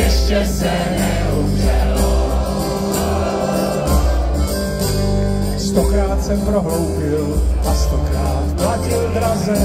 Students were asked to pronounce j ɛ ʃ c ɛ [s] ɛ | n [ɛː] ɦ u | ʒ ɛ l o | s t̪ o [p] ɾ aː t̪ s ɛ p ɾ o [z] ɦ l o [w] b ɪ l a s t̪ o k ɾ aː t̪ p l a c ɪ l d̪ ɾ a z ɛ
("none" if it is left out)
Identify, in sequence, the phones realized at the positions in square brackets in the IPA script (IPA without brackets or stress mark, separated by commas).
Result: s, ɛ, k, none, w